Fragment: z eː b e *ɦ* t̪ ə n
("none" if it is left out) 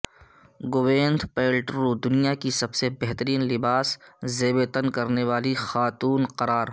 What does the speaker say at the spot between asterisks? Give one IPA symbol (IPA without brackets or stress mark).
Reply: none